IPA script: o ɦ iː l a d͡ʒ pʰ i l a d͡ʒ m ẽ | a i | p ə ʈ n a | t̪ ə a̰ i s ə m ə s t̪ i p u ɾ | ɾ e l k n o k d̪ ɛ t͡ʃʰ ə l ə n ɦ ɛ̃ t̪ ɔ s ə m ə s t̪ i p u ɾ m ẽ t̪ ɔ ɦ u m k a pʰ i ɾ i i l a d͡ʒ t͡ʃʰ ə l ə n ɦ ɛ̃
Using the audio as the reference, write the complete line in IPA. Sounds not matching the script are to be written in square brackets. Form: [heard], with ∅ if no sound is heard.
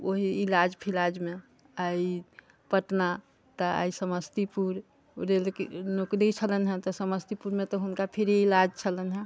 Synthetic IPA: o ɦ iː l a d͡ʒ pʰ i l a d͡ʒ m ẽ | a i | p ə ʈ n a | t̪ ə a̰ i s ə m ə s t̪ i p u ɾ | ɾ e l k n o k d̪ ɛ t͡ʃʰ ə l ə n ɦ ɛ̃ t̪ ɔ s ə m ə s t̪ i p u ɾ m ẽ t̪ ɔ ɦ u [n] k a pʰ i ɾ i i l a d͡ʒ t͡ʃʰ ə l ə n ɦ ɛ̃